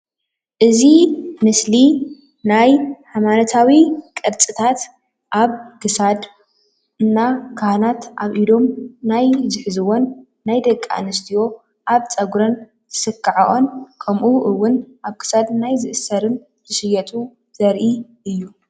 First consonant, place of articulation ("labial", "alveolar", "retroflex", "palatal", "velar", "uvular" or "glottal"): glottal